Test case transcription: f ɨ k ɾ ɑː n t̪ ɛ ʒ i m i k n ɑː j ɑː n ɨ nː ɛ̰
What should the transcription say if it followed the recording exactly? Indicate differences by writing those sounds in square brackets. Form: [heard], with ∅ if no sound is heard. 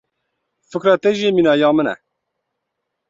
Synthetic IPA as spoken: f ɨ k ɾ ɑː [∅] t̪ ɛ ʒ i m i [∅] n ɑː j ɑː [m] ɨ [n] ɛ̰

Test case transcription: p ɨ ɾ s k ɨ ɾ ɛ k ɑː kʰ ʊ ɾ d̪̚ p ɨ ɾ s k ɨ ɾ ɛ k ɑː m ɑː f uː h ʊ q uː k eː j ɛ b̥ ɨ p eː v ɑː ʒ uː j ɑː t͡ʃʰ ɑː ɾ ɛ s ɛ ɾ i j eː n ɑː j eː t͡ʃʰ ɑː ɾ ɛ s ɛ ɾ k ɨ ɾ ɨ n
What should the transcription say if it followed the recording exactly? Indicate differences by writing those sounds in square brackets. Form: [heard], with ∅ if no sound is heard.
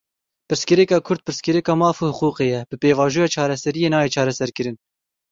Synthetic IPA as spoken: p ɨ ɾ s k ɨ ɾ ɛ k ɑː kʰ ʊ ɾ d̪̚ p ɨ ɾ s k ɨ ɾ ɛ k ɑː m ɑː f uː h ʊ q uː [q] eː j ɛ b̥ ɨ p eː v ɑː ʒ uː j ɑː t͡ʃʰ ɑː ɾ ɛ s ɛ ɾ i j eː n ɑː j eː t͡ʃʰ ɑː ɾ ɛ s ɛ ɾ k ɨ ɾ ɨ n

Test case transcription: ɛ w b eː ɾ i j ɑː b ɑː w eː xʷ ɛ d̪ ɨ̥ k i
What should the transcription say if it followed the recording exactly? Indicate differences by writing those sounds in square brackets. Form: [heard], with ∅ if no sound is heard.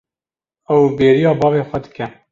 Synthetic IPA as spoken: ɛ w b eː ɾ i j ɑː b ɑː [v] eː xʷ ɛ d̪ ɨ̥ k [ɛ]

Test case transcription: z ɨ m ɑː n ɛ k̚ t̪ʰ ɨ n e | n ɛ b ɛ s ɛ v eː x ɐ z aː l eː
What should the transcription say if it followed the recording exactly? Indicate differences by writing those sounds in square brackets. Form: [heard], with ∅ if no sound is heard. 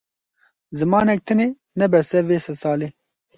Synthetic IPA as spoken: z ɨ m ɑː n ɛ k̚ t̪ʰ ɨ n e | n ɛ b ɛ s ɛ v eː [s] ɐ [s] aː l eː

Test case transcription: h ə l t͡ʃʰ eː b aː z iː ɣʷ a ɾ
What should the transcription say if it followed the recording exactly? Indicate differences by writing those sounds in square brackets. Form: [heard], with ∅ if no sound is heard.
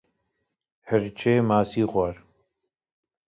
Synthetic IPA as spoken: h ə [ɾ] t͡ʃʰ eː [m] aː [s] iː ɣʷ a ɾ

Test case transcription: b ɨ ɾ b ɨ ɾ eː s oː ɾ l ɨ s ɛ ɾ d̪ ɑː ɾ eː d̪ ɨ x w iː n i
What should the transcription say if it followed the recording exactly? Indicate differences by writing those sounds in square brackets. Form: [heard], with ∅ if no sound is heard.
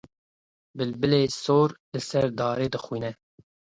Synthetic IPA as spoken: b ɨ [l] b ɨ [l] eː s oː ɾ l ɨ s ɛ ɾ d̪ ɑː ɾ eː d̪ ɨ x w iː n [ɛ]

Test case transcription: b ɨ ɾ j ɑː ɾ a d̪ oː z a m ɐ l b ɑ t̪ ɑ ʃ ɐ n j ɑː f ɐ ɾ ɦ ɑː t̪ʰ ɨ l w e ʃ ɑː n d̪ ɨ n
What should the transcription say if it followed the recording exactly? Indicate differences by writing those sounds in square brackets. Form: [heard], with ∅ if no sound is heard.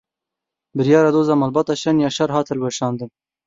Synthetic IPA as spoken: b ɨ ɾ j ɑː ɾ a d̪ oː z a m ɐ l b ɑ t̪ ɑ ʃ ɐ n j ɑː [ʃ] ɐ ɾ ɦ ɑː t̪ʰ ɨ l w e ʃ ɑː n d̪ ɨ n

